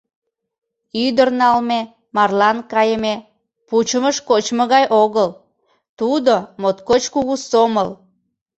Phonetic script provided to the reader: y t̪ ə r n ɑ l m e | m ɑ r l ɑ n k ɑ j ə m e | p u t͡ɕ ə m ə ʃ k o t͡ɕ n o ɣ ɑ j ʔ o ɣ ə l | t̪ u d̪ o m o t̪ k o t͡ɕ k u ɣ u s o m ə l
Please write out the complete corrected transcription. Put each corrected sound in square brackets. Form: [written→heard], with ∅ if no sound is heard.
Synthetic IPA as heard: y [t̪→d̪] ə r n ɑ l m e | m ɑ r l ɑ n k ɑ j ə m e | p u t͡ɕ ə m ə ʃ k o t͡ɕ [n→m] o ɣ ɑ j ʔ o ɣ ə l | t̪ u d̪ o m o t̪ k o t͡ɕ k u ɣ u s o m ə l